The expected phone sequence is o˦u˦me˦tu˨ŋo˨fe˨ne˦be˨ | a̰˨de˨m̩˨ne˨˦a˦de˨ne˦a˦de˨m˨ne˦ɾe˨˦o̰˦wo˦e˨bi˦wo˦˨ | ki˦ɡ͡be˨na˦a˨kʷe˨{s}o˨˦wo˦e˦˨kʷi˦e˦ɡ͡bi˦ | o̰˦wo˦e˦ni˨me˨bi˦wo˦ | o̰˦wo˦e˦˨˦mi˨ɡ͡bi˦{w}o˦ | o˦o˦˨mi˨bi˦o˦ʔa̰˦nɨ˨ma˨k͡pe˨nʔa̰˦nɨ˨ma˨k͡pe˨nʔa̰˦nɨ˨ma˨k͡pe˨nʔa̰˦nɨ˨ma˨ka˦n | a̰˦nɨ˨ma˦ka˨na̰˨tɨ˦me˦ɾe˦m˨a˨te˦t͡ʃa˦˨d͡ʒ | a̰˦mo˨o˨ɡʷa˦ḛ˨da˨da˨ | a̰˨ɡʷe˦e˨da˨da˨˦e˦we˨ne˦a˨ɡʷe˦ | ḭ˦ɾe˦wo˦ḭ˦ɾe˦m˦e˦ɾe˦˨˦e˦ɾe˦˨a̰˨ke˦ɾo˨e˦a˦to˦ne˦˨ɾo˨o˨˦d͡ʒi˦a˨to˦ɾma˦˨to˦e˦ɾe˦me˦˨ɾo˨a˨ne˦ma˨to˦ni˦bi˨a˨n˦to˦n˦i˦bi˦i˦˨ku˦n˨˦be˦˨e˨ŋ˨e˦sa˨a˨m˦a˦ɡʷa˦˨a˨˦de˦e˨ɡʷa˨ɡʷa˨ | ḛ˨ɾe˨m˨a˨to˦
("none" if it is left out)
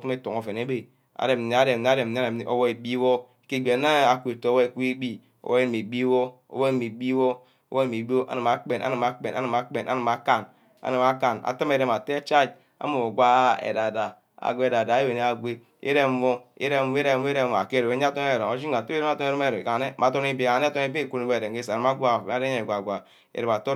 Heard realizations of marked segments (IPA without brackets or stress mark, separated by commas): t, w